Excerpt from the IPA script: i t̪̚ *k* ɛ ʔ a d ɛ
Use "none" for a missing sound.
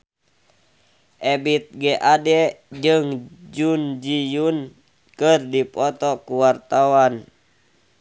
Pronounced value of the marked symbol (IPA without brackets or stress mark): ɡ